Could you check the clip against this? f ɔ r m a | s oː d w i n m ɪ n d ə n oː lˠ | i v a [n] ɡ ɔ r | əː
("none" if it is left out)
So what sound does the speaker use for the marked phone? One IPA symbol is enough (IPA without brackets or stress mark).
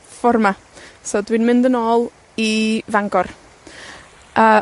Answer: ŋ